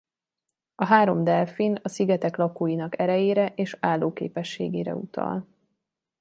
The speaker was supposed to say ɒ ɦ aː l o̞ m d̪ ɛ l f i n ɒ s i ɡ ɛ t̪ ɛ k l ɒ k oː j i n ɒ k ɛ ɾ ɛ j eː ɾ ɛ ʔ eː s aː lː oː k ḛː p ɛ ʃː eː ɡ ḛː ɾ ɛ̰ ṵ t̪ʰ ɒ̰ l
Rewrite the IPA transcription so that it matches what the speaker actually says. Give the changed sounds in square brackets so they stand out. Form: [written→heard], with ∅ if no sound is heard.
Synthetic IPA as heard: ɒ ɦ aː [l→ɾ] o̞ m d̪ ɛ l f i n ɒ s i ɡ ɛ t̪ ɛ k l ɒ k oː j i n ɒ k ɛ ɾ ɛ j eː ɾ ɛ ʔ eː [s→ʃ] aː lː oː k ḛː p ɛ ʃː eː ɡ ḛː ɾ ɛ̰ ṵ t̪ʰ ɒ̰ l

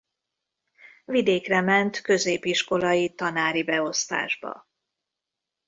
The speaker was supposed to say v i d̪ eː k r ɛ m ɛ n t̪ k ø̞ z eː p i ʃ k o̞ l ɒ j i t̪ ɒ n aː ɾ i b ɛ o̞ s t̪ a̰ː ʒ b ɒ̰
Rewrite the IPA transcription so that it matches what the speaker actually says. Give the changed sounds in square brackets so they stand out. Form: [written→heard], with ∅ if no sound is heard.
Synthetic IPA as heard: v i d̪ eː k r ɛ m ɛ n t̪ k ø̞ z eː p i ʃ k o̞ l ɒ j i t̪ ɒ n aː ɾ i b ɛ o̞ s t̪ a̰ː ʒ b ɒ̰

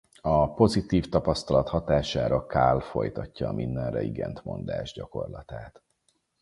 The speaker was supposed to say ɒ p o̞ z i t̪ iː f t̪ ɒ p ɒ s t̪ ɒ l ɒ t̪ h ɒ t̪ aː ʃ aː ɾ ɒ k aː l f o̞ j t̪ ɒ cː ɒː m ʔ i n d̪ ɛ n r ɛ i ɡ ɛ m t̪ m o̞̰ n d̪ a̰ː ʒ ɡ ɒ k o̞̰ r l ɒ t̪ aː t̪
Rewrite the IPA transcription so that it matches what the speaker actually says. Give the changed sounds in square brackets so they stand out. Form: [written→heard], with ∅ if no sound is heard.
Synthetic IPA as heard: ɒ p o̞ z i t̪ iː f t̪ ɒ p ɒ s t̪ ɒ l ɒ t̪ h ɒ t̪ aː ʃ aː ɾ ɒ k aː l f o̞ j t̪ ɒ cː ɒː m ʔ i n d̪ ɛ n r ɛ i ɡ ɛ [m→n] t̪ m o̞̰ n d̪ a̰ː ʒ [ɡ→ɟ] ɒ k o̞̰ r l ɒ t̪ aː t̪

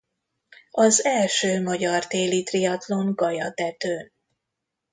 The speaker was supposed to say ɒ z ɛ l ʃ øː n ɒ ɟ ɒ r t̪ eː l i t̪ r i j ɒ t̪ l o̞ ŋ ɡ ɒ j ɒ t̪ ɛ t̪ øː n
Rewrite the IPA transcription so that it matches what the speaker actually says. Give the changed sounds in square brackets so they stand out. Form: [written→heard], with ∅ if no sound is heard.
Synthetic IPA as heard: ɒ z ɛ l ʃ øː [n→m] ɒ ɟ ɒ r t̪ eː l i t̪ r i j ɒ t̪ l o̞ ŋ ɡ ɒ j ɒ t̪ ɛ t̪ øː n

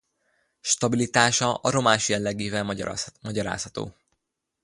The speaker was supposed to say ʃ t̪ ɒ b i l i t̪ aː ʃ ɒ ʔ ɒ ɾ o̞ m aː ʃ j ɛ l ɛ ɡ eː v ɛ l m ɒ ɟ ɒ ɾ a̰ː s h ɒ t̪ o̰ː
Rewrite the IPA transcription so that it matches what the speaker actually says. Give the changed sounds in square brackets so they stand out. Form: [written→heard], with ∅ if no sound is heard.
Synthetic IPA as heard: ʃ t̪ ɒ b i l i t̪ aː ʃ ɒ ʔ ɒ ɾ o̞ m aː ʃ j ɛ [l→lː] ɛ ɡ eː v ɛ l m ɒ ɟ ɒ ɾ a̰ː s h ɒ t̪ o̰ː

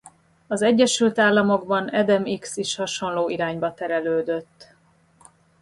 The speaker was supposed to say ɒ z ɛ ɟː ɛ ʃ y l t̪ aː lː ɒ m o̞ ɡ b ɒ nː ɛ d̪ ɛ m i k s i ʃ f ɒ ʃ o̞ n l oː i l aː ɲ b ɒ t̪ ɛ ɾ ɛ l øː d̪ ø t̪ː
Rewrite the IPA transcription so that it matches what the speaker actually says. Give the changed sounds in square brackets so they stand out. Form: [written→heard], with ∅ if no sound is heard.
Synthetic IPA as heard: ɒ z ɛ ɟː ɛ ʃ y l t̪ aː lː ɒ m o̞ ɡ b ɒ [nː→n] ɛ d̪ ɛ m i k s i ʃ [f→h] ɒ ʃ o̞ n l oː i [l→ɾ] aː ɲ b ɒ t̪ ɛ ɾ ɛ l øː d̪ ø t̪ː

